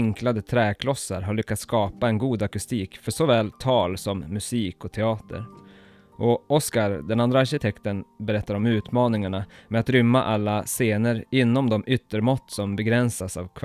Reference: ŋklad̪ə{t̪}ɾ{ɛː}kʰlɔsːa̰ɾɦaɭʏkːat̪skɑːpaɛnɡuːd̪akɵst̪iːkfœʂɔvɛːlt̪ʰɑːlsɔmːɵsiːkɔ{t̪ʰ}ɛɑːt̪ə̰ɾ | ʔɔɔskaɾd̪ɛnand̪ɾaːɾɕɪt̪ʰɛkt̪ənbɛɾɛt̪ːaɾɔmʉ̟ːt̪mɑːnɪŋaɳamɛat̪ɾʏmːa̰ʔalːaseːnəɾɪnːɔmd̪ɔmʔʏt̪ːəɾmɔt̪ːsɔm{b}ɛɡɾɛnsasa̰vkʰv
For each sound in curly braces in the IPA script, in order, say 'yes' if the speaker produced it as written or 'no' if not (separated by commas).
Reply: no, yes, yes, yes